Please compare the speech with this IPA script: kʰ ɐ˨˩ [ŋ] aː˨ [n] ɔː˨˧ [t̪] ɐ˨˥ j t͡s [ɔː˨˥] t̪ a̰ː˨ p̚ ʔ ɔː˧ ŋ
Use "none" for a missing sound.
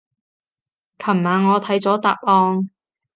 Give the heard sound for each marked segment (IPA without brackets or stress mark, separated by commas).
m, ŋ, t̪ʰ, ɔː˨˥